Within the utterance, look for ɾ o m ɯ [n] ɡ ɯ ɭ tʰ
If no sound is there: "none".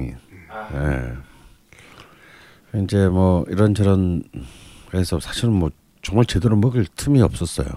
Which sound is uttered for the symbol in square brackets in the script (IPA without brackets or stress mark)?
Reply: none